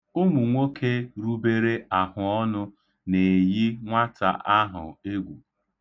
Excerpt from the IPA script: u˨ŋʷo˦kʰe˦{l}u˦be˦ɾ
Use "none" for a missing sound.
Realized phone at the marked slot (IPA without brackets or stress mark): ɾ